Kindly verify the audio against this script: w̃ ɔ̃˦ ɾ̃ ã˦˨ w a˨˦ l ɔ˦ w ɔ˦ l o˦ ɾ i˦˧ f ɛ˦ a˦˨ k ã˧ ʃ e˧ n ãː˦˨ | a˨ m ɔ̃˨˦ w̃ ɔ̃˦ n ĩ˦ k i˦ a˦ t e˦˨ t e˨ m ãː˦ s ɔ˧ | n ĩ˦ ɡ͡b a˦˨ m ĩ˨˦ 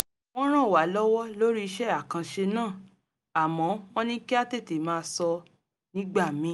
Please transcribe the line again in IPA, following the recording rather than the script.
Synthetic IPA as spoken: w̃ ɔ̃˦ ɾ̃ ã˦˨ w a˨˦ l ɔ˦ w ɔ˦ l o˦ ɾ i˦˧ ʃ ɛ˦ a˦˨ k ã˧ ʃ e˧ n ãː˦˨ | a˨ m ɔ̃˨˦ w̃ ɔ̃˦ n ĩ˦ k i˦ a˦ t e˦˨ t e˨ m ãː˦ s ɔ˧ | n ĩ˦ ɡ͡b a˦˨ m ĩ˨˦